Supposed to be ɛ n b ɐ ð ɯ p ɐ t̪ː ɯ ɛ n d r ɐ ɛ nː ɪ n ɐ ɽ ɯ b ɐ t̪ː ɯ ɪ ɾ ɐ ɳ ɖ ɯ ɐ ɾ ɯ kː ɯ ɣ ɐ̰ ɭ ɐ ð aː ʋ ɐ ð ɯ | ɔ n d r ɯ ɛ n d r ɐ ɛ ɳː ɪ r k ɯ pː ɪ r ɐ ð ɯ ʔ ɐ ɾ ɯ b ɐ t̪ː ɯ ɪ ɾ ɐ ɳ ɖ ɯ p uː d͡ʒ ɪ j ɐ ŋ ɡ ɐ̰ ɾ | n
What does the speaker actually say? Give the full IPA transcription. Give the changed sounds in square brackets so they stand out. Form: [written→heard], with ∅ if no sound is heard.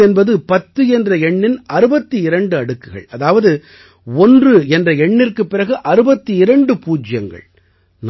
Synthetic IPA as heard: ɛ n b ɐ ð ɯ p ɐ t̪ː ɯ ɛ n d r ɐ ɛ [nː→ɳː] ɪ n ɐ [ɽ→ɾ] ɯ b ɐ t̪ː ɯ ɪ ɾ ɐ ɳ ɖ ɯ ɐ [ɾ→ɽ] ɯ kː ɯ ɣ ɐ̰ ɭ ɐ ð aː ʋ ɐ ð ɯ | ɔ n d r ɯ ɛ n d r ɐ ɛ ɳː ɪ r k ɯ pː ɪ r ɐ [ð→ɣ] ɯ ʔ ɐ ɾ ɯ b ɐ t̪ː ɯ ɪ ɾ ɐ ɳ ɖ ɯ p uː d͡ʒ ɪ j ɐ ŋ ɡ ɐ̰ [ɾ→ɭ] | n

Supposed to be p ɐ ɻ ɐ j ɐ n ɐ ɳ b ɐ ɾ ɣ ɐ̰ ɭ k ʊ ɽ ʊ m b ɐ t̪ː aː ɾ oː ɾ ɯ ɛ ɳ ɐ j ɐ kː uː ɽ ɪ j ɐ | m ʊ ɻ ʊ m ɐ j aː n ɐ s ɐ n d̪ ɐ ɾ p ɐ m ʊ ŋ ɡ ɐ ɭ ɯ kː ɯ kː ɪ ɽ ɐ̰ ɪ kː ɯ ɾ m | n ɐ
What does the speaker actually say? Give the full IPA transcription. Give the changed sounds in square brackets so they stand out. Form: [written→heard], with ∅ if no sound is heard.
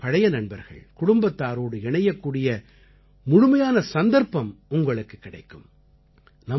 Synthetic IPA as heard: p ɐ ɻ ɐ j ɐ n ɐ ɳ b ɐ ɾ ɣ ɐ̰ ɭ k ʊ ɽ ʊ m b ɐ t̪ː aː ɾ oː [ɾ→ɽ] ɯ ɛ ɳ ɐ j ɐ kː uː ɽ ɪ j ɐ | m ʊ ɻ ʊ m ɐ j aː n ɐ s ɐ n d̪ ɐ ɾ p ɐ m ʊ ŋ ɡ ɐ ɭ ɯ kː ɯ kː ɪ ɽ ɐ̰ ɪ kː ɯ [ɾ→∅] m | n ɐ

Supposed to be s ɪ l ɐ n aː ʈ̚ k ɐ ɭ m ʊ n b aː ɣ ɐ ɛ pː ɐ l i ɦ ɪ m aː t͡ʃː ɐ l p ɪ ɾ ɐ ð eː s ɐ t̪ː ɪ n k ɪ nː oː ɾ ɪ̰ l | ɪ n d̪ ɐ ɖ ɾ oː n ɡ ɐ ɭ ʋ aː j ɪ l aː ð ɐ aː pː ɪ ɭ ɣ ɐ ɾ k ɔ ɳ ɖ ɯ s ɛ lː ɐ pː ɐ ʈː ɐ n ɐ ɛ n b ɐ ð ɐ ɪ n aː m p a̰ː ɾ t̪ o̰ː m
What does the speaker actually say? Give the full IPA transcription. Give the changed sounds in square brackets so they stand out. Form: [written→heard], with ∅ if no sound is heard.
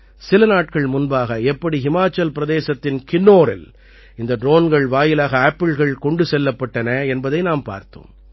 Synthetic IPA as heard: s ɪ l ɐ n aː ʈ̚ k ɐ ɭ m ʊ n b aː ɣ ɐ ɛ pː ɐ [l→ɽ] i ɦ ɪ m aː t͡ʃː ɐ l p ɪ ɾ ɐ ð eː s ɐ t̪ː ɪ n k ɪ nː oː ɾ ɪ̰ l | ɪ n d̪ ɐ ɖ ɾ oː n ɡ ɐ ɭ ʋ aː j ɪ l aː [ð→ɣ] ɐ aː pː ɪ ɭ ɣ ɐ [ɾ→ɭ] k ɔ ɳ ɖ ɯ s ɛ lː ɐ pː ɐ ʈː ɐ n ɐ ɛ n b ɐ ð ɐ ɪ n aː m p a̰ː ɾ t̪ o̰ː m

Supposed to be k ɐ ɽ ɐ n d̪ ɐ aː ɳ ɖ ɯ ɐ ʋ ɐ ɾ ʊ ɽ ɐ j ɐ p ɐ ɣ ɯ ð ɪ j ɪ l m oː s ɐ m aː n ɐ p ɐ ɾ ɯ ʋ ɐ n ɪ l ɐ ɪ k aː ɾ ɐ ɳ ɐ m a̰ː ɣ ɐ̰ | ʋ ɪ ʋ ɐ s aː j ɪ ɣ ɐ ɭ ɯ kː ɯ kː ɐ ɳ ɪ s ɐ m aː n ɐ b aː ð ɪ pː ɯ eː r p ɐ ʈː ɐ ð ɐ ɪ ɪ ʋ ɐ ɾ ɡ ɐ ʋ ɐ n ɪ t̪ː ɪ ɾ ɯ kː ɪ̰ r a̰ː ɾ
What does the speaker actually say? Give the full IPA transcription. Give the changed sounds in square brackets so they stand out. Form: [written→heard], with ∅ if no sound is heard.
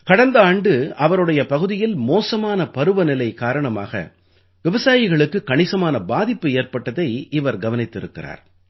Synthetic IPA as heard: k ɐ ɽ ɐ n d̪ ɐ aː ɳ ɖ ɯ ɐ ʋ ɐ ɾ [ʊ→ɯ] ɽ ɐ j ɐ p ɐ ɣ ɯ ð ɪ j ɪ l m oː s ɐ m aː n ɐ p ɐ ɾ ɯ ʋ ɐ n ɪ l ɐ ɪ k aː ɾ ɐ ɳ ɐ m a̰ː ɣ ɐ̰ | ʋ ɪ ʋ ɐ s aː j ɪ ɣ ɐ ɭ ɯ kː ɯ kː ɐ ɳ ɪ s ɐ m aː n ɐ b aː ð ɪ pː ɯ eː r p ɐ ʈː ɐ ð ɐ ɪ ɪ ʋ ɐ ɾ ɡ ɐ ʋ ɐ n ɪ t̪ː ɪ ɾ ɯ kː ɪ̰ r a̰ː ɾ

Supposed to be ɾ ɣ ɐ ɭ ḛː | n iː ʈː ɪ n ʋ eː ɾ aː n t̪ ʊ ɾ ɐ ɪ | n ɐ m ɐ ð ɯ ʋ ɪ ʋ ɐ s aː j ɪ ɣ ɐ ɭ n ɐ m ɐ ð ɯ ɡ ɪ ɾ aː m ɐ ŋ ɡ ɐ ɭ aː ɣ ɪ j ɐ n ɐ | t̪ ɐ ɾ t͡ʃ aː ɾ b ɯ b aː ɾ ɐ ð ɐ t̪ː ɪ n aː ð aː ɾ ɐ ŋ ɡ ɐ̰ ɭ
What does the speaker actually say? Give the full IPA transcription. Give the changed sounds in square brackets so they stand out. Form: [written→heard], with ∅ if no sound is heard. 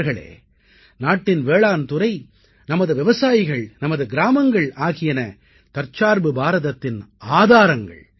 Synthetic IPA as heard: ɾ ɣ ɐ ɭ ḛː | n [iː→aː] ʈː ɪ n ʋ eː [ɾ→ɭ] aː n t̪ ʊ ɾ ɐ ɪ | n ɐ m ɐ ð ɯ ʋ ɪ ʋ ɐ s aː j ɪ ɣ ɐ ɭ n ɐ m ɐ ð ɯ ɡ ɪ ɾ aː m ɐ ŋ ɡ ɐ ɭ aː ɣ ɪ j ɐ n ɐ | t̪ ɐ ɾ t͡ʃ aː ɾ b ɯ b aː ɾ ɐ ð ɐ t̪ː ɪ n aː ð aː ɾ ɐ ŋ ɡ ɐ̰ ɭ

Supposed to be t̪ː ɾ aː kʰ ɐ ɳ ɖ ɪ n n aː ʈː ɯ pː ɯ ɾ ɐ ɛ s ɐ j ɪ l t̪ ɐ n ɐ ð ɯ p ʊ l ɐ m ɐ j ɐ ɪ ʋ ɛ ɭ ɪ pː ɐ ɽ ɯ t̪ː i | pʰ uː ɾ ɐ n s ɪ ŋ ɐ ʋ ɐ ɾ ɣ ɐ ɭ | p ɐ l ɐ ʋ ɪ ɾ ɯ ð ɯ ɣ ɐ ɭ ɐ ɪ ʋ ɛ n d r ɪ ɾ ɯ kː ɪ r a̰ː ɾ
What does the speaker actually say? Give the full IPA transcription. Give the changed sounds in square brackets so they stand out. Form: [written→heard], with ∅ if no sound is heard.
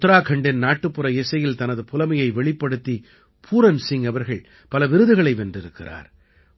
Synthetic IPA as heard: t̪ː ɾ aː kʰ ɐ ɳ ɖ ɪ n n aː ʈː ɯ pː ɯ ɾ ɐ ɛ s ɐ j ɪ l t̪ ɐ n ɐ ð ɯ p ʊ l ɐ m ɐ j ɐ ɪ ʋ ɛ ɭ ɪ pː ɐ ɽ ɯ t̪ː i | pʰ uː ɾ ɐ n s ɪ ŋ ɐ ʋ ɐ ɾ ɣ ɐ ɭ | p ɐ l ɐ ʋ ɪ ɾ ɯ ð ɯ ɣ ɐ ɭ ɐ ɪ ʋ ɛ n d r ɪ ɾ ɯ kː ɪ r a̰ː ɾ

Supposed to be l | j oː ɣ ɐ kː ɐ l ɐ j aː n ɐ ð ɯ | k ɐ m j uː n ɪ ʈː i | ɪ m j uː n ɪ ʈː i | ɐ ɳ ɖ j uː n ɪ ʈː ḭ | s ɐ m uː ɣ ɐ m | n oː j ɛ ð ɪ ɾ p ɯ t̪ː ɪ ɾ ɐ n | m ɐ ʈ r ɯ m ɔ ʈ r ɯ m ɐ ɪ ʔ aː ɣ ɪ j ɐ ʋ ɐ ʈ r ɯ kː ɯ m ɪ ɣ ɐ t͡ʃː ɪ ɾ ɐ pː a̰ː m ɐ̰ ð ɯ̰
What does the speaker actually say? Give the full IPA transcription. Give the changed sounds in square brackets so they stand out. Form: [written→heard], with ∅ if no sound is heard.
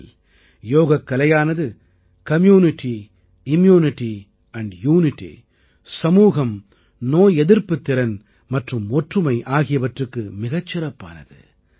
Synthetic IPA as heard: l | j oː ɣ ɐ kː ɐ l ɐ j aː n ɐ ð ɯ | k ɐ m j uː n ɪ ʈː i | ɪ m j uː n ɪ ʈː i | ɐ ɳ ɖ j uː n ɪ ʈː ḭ | s ɐ m uː ɣ ɐ m | n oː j ɛ ð ɪ ɾ p ɯ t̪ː ɪ ɾ ɐ n | m ɐ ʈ r ɯ m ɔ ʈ r ɯ m ɐ ɪ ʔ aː ɣ ɪ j ɐ ʋ ɐ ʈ r ɯ kː ɯ m ɪ ɣ ɐ t͡ʃː ɪ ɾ ɐ pː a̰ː [m→n] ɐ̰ ð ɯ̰

